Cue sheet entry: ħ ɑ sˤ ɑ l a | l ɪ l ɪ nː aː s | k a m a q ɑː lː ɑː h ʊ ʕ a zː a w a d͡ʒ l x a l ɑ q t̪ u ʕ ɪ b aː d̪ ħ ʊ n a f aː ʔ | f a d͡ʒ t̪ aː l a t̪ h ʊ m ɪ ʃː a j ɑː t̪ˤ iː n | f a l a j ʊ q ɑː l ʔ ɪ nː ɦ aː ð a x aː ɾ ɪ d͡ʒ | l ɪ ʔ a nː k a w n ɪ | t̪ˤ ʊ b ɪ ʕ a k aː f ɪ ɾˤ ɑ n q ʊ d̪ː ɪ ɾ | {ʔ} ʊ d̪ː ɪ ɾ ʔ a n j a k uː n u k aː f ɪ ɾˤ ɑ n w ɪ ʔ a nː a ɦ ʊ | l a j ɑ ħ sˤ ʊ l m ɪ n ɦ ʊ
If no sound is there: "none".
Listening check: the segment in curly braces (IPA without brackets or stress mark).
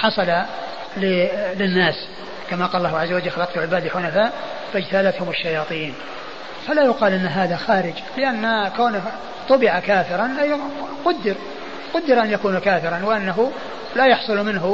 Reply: q